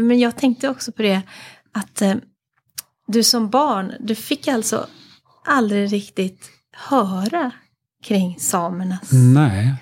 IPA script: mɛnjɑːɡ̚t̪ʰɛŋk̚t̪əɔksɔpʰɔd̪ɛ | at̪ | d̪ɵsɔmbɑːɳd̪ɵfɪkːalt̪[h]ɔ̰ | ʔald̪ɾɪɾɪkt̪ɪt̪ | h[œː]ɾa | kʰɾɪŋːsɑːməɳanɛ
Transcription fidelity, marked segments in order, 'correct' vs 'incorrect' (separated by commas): incorrect, correct